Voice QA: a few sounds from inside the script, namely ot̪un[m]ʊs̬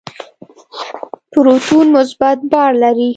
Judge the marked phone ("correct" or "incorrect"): correct